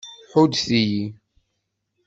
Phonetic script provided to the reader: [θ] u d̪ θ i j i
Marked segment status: incorrect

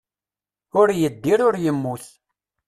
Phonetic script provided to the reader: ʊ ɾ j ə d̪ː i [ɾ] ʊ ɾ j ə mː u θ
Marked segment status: correct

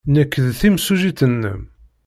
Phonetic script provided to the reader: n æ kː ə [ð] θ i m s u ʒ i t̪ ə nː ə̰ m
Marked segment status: correct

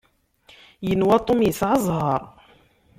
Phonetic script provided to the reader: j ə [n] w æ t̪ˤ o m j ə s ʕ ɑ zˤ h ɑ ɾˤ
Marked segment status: correct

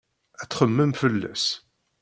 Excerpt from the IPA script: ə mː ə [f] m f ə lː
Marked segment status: incorrect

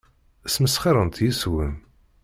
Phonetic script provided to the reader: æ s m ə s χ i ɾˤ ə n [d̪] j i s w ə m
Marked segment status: incorrect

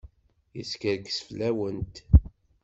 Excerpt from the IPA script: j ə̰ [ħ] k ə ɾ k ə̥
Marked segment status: incorrect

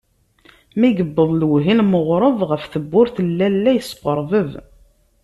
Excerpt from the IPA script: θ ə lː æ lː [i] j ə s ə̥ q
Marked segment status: incorrect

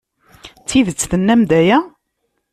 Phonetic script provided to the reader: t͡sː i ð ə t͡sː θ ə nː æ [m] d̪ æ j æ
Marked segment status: correct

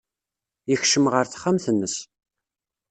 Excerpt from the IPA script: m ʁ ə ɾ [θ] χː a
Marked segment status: correct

